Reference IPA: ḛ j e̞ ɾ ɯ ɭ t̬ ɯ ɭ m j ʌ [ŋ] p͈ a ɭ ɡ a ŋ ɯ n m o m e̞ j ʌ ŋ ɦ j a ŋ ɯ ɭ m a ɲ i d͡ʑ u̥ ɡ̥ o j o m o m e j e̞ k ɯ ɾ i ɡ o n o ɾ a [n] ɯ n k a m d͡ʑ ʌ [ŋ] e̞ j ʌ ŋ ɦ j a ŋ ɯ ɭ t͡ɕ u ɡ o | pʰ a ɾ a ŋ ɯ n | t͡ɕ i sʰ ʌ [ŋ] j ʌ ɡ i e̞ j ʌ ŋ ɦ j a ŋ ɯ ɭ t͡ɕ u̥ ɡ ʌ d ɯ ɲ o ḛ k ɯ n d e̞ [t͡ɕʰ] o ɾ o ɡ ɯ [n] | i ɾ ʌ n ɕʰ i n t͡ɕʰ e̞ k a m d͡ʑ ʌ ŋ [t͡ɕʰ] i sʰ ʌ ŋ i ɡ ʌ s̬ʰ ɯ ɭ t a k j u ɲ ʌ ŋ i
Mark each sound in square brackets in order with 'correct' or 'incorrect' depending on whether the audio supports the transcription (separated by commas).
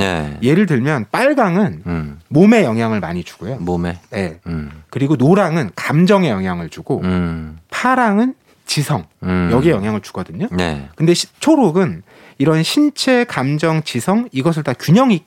incorrect, incorrect, correct, correct, correct, correct, incorrect